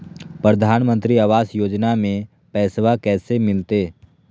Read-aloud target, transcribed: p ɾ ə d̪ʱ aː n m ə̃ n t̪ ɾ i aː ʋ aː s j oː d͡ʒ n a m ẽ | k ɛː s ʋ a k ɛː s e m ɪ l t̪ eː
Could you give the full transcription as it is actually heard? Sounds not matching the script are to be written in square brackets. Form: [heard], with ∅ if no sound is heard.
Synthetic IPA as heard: p ɾ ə d̪ʱ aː n m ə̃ n t̪ ɾ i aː ʋ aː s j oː d͡ʒ n a m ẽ | [p] ɛː s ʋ a k ɛː s e m ɪ l t̪ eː